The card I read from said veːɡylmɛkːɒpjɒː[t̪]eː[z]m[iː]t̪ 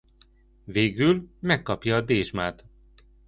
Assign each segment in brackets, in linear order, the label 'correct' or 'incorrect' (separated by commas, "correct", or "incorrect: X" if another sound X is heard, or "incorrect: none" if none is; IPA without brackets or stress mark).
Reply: incorrect: d̪, incorrect: ʒ, incorrect: aː